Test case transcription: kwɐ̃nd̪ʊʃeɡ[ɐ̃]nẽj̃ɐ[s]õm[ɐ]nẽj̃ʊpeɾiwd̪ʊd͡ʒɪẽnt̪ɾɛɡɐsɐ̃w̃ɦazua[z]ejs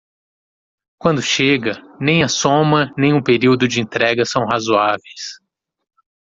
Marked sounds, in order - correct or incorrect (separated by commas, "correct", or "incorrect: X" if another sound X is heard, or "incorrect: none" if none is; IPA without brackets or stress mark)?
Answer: incorrect: ɐ, correct, correct, incorrect: v